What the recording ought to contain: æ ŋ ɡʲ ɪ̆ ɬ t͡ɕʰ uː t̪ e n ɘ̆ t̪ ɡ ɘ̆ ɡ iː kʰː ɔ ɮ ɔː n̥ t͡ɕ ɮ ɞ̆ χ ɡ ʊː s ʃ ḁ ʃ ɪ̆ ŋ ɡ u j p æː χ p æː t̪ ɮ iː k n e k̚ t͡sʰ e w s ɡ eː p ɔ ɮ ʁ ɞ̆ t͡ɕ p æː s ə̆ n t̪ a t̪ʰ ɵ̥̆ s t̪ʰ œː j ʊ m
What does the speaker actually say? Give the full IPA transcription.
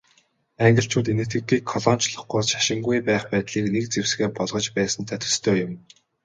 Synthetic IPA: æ ŋ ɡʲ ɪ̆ ɬ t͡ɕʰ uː t̪ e n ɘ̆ t̪ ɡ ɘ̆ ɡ iː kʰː ɔ ɮ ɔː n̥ t͡ɕ ɮ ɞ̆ χ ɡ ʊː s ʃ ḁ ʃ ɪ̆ ŋ ɡ u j p æː χ p æː t̪ ɮ iː k n e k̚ t͡s e w s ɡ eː p ɔ ɮ ʁ ɞ̆ t͡ɕ p æː s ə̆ n t̪ʰ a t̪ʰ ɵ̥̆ s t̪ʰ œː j ʊ m